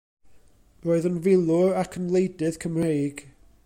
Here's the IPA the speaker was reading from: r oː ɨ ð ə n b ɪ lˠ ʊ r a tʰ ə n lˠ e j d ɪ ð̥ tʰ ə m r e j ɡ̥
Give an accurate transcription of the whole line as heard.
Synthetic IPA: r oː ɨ ð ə n v ɪ lˠ ʊ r a kʰ ə n lˠ e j d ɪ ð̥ kʰ ə m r e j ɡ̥